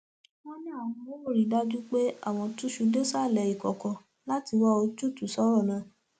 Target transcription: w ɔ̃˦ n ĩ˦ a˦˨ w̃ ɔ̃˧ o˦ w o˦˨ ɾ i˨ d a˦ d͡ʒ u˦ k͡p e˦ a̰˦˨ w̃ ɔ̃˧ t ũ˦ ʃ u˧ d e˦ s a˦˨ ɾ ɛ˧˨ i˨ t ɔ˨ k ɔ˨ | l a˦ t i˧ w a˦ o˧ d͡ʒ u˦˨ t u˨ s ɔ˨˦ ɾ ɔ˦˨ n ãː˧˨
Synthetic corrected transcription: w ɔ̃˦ n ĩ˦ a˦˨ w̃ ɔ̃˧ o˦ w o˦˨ ɾ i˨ d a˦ d͡ʒ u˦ k͡p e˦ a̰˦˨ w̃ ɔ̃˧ t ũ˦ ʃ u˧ d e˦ s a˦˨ l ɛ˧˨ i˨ k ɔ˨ k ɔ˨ | l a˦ t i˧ w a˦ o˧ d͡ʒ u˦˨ t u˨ s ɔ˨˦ ɾ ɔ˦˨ n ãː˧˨